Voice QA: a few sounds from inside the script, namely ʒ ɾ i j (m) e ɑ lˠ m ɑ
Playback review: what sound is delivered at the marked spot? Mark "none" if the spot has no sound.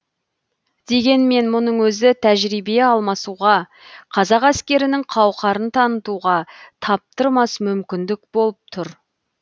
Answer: b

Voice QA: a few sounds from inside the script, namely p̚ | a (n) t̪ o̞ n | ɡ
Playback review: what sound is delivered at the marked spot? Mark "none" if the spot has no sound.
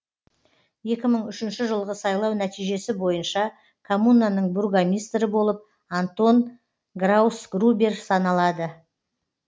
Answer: n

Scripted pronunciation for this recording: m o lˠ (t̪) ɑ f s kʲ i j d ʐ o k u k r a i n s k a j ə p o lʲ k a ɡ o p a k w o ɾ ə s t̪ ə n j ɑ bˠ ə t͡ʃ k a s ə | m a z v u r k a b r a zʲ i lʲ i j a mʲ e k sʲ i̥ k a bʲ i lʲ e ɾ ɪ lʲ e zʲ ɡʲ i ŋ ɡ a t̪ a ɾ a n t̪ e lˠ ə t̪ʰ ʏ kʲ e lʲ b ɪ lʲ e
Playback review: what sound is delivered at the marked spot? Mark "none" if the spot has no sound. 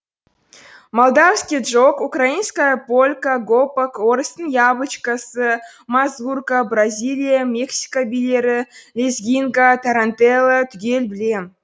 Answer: d̪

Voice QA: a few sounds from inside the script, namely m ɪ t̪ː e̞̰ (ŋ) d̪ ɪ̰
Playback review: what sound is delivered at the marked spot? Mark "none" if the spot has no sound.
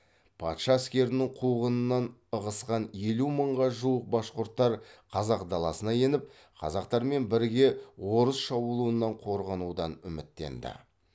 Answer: n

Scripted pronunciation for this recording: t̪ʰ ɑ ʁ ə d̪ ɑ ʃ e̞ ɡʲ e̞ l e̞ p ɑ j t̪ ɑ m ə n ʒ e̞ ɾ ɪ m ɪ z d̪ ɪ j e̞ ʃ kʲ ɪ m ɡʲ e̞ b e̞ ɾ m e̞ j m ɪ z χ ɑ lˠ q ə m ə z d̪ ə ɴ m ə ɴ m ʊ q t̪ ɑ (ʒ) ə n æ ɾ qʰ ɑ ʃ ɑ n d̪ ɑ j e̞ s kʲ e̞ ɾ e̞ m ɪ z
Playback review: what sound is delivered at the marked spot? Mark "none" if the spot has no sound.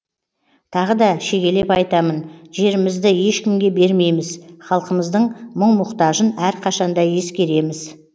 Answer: ʒ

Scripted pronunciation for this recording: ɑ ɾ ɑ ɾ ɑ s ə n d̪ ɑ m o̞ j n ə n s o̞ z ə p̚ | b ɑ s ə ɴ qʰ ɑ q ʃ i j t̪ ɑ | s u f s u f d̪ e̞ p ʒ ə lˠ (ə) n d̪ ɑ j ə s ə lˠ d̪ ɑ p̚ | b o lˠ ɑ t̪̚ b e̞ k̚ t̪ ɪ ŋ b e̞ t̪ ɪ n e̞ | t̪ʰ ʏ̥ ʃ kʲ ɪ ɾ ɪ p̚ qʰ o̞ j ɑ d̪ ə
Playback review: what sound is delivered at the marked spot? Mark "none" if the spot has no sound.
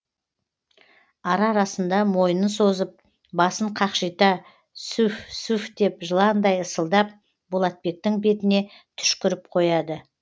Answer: ɑ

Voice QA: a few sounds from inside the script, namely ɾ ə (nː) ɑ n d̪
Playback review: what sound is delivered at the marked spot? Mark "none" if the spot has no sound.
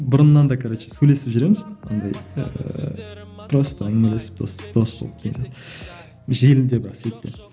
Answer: nː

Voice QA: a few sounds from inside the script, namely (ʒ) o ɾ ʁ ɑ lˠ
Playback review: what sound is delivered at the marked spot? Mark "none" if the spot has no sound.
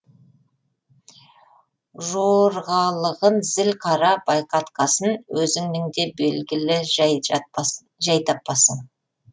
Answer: ʒ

